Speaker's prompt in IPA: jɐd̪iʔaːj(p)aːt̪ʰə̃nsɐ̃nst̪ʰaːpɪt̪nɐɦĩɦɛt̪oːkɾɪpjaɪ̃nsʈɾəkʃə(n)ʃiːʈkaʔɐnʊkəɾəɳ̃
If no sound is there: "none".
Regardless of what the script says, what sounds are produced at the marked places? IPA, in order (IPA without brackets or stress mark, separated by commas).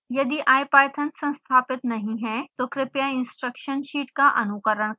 p, n